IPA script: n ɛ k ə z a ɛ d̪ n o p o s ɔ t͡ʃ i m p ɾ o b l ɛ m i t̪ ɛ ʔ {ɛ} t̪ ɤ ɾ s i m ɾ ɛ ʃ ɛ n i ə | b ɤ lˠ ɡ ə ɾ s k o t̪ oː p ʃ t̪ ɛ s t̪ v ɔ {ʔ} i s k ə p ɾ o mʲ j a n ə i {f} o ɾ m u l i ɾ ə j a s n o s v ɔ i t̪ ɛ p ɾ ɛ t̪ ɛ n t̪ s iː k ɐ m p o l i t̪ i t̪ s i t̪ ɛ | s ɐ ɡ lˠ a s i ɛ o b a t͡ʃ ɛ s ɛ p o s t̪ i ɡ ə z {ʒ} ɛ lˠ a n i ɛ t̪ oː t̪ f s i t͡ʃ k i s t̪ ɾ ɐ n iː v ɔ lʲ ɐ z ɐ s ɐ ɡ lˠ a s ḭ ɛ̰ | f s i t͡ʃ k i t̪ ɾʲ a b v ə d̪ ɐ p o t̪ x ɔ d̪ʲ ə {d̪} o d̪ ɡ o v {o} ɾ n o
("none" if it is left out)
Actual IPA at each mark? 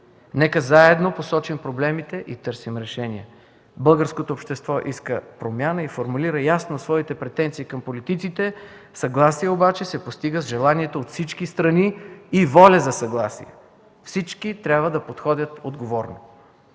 i, ʔ, f, ʒ, t̪, ɔ

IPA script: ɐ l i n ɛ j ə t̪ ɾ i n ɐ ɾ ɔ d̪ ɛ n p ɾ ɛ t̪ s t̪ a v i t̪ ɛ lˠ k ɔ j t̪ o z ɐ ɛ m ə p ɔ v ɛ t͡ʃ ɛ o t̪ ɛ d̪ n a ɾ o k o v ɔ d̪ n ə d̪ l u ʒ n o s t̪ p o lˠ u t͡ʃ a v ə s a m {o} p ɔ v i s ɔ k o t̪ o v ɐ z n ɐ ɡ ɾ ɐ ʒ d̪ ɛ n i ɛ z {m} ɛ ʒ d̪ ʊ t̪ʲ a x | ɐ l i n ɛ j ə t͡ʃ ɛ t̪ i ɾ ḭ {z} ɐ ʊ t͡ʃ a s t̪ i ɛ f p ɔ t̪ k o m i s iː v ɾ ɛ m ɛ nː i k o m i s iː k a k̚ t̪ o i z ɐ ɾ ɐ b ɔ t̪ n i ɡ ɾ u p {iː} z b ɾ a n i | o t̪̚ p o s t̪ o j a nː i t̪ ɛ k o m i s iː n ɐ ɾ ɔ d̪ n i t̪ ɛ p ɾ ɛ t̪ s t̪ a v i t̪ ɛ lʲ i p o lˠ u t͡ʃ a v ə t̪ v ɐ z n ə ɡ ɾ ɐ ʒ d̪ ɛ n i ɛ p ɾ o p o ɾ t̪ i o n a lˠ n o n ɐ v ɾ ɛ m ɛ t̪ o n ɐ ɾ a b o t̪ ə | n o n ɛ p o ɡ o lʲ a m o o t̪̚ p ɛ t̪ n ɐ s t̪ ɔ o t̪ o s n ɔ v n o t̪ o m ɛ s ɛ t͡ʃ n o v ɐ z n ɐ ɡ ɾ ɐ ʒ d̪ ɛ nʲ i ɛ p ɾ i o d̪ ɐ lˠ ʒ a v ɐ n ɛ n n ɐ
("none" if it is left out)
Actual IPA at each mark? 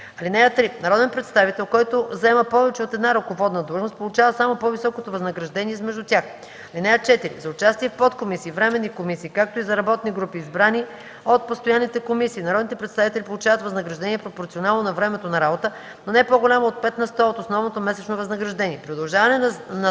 o, m, z, iː

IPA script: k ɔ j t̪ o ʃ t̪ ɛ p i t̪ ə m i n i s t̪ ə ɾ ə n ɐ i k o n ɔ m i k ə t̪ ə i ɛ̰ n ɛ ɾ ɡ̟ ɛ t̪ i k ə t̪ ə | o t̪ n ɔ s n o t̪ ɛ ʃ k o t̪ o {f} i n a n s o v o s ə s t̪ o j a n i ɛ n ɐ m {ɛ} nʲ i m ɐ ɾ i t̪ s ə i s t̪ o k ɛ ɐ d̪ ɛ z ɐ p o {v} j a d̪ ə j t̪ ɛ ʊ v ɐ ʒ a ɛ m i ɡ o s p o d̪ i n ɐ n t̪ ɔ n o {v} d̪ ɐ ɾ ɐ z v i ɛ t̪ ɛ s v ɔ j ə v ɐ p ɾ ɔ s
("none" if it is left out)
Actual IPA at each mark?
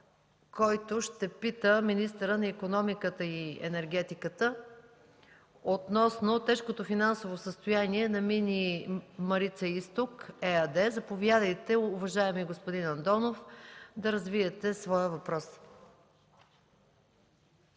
f, i, v, f

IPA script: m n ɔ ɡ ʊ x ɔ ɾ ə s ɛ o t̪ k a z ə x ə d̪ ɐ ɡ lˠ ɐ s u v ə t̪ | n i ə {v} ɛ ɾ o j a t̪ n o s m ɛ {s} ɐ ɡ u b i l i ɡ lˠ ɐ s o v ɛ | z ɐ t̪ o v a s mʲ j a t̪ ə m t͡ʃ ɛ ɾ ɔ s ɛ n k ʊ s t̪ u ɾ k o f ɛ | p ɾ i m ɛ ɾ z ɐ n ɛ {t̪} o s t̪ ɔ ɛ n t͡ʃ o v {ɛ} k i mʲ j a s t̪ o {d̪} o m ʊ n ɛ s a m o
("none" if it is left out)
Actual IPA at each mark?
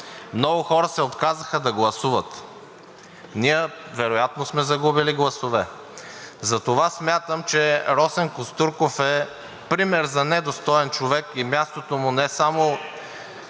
v, z, d̪, ɛ, t̪

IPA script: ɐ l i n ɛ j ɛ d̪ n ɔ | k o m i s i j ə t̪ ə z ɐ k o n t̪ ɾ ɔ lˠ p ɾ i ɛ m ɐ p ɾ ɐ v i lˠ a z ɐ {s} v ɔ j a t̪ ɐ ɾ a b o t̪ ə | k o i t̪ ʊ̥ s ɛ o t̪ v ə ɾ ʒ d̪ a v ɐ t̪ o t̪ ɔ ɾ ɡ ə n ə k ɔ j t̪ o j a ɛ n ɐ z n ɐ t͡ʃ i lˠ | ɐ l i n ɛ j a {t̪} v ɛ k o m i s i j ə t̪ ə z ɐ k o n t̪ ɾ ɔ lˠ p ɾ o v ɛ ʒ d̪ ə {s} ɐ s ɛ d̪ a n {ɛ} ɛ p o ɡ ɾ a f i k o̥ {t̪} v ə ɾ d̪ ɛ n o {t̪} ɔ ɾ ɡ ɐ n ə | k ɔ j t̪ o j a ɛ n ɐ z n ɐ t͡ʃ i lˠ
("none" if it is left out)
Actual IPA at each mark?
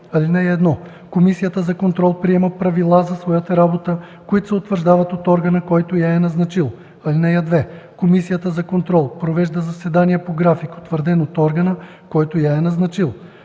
s, d̪, z, i, t̪, t̪

